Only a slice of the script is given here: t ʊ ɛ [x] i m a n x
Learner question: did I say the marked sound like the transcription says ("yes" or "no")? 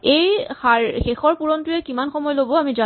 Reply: no